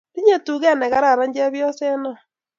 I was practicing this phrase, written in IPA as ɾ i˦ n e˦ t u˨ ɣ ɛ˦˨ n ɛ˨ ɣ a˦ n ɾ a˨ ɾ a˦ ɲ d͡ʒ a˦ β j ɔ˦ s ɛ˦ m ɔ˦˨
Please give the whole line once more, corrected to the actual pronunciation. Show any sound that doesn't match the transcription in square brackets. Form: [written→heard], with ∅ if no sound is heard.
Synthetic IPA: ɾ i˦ [n→ɲ] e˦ t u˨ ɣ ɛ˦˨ n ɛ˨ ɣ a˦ [n→∅] ɾ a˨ ɾ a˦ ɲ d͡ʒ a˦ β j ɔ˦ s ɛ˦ [m→n] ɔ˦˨